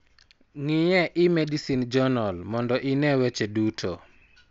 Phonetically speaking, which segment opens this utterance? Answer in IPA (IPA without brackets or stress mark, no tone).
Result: ŋ